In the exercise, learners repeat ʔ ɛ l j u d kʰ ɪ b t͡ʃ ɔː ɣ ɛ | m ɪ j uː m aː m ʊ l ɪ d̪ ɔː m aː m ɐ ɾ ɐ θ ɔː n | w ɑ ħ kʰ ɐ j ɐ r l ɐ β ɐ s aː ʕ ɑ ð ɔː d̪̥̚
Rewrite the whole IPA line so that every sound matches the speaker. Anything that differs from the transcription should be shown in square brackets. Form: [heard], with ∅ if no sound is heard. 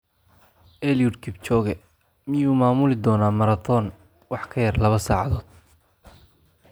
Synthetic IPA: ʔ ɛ l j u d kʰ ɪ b t͡ʃ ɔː ɣ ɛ | m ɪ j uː m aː m ʊ l ɪ d̪ ɔː [n] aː m ɐ ɾ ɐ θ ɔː n | w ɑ ħ kʰ ɐ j ɐ r l ɐ β ɐ s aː ʕ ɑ ð ɔː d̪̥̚

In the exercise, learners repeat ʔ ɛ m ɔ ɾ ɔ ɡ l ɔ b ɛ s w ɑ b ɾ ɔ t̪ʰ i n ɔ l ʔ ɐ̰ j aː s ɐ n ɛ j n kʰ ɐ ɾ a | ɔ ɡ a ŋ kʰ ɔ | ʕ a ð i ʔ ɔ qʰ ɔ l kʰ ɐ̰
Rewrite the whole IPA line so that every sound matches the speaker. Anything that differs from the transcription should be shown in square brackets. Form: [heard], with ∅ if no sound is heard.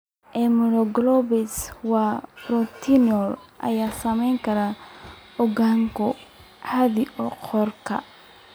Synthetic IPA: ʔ ɛ m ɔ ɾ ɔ ɡ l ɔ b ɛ s w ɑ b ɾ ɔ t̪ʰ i n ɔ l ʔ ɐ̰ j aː s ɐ [m] ɛ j [ŋ] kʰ ɐ ɾ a | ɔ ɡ a ŋ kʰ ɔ | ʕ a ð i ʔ ɔ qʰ ɔ [r] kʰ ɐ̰

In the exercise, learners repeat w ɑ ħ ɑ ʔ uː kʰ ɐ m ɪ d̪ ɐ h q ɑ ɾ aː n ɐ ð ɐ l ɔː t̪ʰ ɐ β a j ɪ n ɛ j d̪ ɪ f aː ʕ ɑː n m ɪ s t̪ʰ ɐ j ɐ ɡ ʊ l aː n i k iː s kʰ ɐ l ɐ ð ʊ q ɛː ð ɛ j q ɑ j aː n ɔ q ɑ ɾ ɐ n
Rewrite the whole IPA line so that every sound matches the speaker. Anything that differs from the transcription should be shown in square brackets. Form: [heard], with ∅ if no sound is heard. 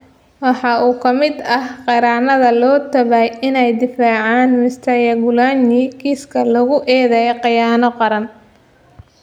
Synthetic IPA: w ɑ ħ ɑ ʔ uː kʰ ɐ m ɪ d̪ ɐ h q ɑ ɾ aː n ɐ ð ɐ l ɔː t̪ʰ ɐ β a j ɪ n ɛ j d̪ ɪ f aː ʕ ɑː n m ɪ s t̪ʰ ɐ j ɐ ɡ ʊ l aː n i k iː s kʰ ɐ l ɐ [ɣ] ʊ [ʔ] ɛː ð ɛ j q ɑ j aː n ɔ q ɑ ɾ ɐ n

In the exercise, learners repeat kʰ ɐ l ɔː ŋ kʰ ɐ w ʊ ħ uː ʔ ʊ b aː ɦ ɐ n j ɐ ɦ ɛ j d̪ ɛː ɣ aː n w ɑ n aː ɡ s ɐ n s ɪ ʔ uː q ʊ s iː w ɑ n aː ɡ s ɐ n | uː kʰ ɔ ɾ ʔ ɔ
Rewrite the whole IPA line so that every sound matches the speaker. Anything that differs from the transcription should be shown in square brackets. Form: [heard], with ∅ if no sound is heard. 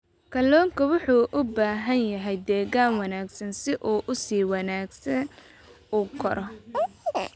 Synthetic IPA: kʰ ɐ l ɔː ŋ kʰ ɐ w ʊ ħ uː ʔ ʊ b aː ɦ ɐ n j ɐ ɦ ɛ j d̪ ɛː ɣ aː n w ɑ n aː ɡ s ɐ n s ɪ ʔ uː [ʔ] ʊ s iː w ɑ n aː ɡ s ɐ n | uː kʰ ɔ ɾ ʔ ɔ

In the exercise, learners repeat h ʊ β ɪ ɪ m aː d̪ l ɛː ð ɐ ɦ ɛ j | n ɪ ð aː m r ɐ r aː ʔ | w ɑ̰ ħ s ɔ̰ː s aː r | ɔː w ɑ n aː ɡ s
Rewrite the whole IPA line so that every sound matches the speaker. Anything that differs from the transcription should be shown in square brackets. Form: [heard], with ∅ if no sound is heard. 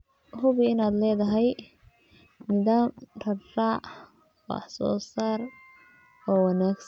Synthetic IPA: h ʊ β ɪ ɪ [n] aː d̪ l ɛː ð ɐ ɦ ɛ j | n ɪ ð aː m r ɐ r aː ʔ | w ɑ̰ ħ s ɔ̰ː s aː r | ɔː w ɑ n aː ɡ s

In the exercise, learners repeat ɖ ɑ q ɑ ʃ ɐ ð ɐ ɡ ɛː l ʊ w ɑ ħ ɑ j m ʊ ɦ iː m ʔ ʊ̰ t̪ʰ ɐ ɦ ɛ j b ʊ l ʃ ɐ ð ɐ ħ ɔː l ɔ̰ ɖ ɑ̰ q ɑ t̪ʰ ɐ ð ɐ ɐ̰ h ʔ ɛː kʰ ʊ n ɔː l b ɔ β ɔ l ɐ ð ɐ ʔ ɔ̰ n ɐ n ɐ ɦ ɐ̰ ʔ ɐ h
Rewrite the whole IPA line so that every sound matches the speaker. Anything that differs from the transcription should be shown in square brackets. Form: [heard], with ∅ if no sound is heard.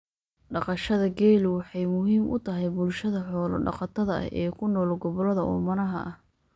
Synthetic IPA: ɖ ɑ q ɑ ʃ ɐ ð ɐ ɡ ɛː l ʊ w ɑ ħ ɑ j m ʊ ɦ iː m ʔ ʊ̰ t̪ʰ ɐ ɦ ɛ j b ʊ l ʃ ɐ ð ɐ ħ ɔː l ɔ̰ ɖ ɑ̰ q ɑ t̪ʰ ɐ ð ɐ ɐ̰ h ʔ ɛː kʰ ʊ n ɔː l [ɡ] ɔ β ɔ l ɐ ð ɐ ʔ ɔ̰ [m] ɐ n ɐ ɦ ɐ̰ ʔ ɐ h

